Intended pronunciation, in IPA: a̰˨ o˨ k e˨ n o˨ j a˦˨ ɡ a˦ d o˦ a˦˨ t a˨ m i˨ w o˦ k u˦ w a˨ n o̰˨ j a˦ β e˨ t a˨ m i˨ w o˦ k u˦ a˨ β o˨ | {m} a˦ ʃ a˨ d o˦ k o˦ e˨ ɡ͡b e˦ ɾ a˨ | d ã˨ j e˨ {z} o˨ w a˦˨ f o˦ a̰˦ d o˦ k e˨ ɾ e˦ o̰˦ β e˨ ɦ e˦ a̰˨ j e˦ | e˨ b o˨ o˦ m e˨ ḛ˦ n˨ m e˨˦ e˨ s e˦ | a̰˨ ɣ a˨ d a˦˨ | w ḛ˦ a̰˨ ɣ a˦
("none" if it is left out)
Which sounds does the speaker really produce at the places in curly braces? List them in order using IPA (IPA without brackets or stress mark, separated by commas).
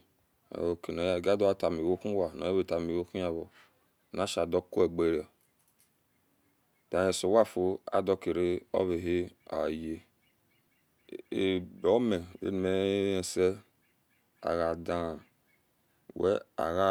n, s